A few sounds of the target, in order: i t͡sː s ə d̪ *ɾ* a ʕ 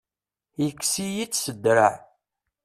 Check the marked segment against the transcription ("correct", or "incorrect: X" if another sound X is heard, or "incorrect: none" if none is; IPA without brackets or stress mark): correct